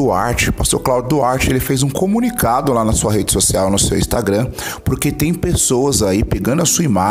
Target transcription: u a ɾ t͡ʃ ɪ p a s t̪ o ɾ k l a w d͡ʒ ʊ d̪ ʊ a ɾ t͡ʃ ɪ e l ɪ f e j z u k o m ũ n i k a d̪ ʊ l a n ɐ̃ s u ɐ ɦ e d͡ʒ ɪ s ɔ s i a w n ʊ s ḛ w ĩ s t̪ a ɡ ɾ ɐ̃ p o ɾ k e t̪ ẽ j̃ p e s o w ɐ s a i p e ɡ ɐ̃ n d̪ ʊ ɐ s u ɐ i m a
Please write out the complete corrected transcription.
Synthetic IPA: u a ɾ t͡ʃ ɪ p a s t̪ o ɾ k l a w d͡ʒ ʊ d̪ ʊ a ɾ t͡ʃ ɪ e l ɪ f e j z ũ k o m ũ n i k a d̪ ʊ l a n ɐ s u ɐ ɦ e d͡ʒ ɪ s o s i a w n ʊ s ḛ w ĩ s t̪ a ɡ ɾ ɐ̃ p o ɾ k e t̪ ẽ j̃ p e s o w ɐ z a i p e ɡ ɐ̃ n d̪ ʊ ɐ s u ɐ i m a